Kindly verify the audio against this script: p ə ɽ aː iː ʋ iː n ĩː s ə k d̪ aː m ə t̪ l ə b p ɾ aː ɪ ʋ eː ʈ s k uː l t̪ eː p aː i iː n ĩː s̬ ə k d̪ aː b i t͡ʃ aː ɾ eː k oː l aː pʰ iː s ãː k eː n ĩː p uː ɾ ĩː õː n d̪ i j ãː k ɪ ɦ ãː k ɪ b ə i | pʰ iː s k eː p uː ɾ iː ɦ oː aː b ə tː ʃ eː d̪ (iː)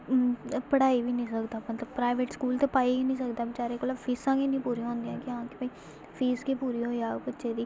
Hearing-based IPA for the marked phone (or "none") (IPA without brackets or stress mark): iː